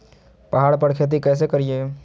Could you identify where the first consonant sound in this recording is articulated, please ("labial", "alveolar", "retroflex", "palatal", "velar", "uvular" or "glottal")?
labial